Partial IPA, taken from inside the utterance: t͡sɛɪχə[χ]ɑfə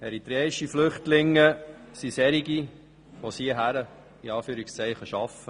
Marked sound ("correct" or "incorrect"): incorrect